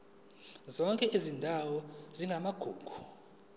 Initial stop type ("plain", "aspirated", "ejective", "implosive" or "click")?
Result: ejective